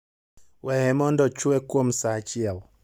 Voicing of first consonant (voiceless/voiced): voiced